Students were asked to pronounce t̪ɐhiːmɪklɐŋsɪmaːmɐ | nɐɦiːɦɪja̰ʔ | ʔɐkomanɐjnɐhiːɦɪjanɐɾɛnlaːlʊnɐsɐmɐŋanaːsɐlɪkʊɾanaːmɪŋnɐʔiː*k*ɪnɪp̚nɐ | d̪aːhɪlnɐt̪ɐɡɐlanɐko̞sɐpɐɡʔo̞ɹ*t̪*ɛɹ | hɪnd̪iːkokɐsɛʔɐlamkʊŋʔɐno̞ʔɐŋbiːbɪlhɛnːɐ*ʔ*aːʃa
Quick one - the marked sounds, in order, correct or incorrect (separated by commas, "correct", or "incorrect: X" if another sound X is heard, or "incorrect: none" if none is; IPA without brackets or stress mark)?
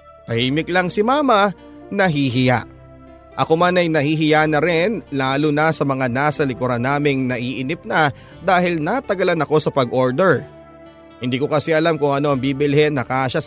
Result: incorrect: ʔ, incorrect: d̪, incorrect: k